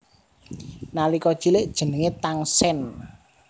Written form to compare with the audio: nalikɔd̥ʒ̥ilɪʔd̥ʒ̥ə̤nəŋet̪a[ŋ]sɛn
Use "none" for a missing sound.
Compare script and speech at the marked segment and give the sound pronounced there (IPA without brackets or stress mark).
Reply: ŋ